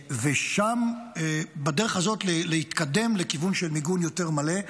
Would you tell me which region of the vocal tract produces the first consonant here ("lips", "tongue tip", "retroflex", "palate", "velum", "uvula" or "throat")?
lips